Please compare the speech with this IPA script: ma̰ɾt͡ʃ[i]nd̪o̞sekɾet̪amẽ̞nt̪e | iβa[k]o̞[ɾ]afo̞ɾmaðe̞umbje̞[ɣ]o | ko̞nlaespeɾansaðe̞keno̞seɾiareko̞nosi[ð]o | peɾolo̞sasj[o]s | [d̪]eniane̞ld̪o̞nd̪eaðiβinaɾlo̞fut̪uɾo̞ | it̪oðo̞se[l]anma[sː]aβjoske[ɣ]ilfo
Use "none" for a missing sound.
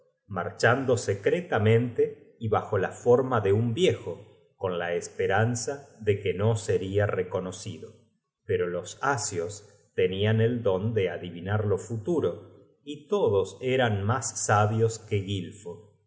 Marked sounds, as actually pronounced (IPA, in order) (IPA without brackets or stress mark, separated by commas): a, x, l, x, ð, o, t̪, ɾ, sː, ɣ